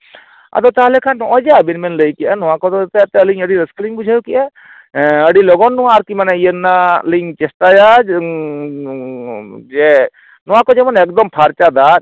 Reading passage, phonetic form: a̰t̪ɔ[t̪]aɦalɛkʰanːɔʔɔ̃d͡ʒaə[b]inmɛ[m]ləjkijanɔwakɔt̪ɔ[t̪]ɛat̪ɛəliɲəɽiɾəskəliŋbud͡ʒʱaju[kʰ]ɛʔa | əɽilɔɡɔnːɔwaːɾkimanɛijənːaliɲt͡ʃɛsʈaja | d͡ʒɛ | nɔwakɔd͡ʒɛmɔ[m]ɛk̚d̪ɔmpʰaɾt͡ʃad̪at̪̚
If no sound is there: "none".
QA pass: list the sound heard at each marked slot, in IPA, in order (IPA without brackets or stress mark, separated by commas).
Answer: t̪, b, n, t̪, k, n